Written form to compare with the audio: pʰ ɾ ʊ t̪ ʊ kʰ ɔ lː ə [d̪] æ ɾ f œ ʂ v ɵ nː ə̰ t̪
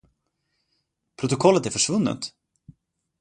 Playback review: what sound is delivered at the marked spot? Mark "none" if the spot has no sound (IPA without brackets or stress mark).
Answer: t̪